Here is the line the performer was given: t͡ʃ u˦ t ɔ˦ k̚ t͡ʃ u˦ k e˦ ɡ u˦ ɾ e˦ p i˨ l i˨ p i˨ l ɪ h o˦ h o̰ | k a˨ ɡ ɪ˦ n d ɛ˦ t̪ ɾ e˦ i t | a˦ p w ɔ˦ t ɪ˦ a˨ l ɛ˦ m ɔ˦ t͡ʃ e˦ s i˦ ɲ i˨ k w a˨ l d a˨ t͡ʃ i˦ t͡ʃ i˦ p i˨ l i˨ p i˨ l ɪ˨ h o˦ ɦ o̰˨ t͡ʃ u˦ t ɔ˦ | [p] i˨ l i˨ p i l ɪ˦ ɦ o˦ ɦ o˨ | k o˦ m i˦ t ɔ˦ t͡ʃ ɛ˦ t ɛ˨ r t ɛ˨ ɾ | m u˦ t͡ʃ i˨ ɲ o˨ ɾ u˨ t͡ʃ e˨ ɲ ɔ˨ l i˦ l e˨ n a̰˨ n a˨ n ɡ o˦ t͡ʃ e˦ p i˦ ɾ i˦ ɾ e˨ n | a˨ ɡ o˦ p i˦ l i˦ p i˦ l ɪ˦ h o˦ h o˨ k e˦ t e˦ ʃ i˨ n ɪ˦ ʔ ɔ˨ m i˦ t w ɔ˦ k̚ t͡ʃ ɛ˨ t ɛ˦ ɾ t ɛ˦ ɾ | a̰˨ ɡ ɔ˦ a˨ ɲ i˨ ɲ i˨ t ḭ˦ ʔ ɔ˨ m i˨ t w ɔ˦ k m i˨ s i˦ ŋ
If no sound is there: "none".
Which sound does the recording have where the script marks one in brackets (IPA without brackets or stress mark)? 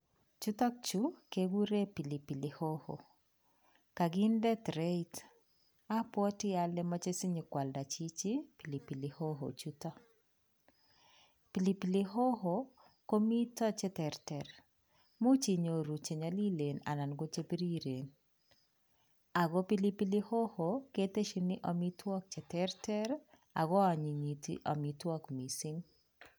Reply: p